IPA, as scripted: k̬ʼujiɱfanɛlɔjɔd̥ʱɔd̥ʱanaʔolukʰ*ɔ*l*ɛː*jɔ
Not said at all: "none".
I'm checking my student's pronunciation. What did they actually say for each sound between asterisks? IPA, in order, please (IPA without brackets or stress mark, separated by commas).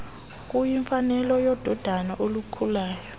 u, aː